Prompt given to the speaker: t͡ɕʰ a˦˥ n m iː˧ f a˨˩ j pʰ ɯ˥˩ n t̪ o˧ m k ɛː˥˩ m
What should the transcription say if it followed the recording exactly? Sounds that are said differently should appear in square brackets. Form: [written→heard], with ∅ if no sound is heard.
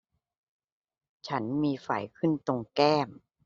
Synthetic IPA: t͡ɕʰ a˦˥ n m iː˧ f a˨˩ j [pʰ→kʰ] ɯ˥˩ n t̪ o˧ [m→ŋ] k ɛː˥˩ m